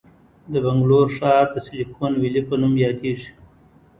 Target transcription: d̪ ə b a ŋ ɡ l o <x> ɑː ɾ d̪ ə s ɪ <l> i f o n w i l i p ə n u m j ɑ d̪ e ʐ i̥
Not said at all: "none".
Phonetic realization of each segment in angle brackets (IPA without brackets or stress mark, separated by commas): ʂ, l